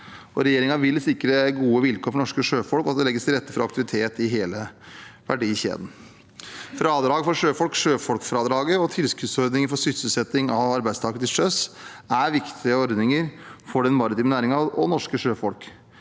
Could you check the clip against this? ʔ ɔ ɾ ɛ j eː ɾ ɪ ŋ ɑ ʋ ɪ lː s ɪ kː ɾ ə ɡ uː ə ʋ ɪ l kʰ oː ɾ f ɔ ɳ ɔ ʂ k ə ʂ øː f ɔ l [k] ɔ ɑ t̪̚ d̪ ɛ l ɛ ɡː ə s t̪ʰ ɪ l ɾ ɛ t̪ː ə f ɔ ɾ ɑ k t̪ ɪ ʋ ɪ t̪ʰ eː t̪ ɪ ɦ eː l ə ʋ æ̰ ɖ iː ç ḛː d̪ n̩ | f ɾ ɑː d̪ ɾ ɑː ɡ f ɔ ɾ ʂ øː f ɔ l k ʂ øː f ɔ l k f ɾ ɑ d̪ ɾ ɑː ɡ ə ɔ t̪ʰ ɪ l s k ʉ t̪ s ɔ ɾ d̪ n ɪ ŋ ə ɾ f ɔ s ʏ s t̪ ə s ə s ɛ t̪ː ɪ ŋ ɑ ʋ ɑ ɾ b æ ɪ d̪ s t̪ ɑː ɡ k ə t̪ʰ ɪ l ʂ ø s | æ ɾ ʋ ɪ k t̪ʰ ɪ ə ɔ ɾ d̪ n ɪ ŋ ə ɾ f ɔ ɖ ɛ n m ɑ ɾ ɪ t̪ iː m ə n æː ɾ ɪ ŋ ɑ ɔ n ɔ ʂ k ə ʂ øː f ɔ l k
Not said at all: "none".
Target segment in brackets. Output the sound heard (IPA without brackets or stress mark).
k